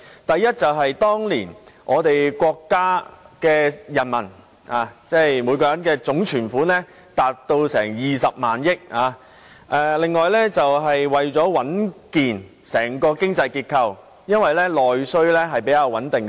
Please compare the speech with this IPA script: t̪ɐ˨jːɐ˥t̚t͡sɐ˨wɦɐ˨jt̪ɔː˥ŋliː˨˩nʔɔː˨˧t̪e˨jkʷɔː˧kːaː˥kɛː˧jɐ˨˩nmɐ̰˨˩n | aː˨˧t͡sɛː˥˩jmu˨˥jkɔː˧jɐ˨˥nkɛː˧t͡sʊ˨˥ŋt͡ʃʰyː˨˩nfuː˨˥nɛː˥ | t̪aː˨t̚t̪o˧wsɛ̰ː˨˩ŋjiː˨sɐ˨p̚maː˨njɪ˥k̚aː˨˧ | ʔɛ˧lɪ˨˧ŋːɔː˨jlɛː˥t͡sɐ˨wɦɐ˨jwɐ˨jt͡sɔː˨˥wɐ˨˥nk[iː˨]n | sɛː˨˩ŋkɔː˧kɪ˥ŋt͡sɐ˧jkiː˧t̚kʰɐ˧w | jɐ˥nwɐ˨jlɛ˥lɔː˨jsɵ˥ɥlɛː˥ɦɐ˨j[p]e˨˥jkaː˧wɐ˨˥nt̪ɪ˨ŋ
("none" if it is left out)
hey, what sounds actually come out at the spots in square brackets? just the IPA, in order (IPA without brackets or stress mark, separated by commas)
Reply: iː˨, p